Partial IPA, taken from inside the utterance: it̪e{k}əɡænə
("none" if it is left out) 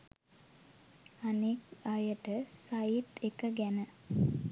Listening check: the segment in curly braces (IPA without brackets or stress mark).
k